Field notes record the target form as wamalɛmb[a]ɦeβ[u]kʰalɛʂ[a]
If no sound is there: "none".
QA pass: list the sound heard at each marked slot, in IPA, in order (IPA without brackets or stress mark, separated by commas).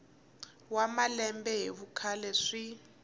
ɛ, u, i